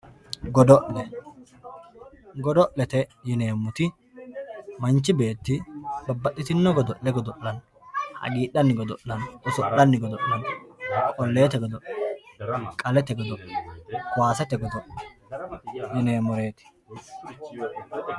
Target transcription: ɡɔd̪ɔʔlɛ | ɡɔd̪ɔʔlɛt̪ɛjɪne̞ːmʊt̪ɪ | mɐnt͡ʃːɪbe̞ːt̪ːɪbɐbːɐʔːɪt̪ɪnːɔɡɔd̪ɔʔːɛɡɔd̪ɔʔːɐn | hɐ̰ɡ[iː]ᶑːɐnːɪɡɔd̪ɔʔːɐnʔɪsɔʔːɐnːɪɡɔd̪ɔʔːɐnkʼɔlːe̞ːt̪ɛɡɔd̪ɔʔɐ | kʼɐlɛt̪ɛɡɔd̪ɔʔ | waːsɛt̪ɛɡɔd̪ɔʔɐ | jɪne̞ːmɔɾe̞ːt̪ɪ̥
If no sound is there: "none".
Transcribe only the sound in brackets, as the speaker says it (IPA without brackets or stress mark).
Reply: iː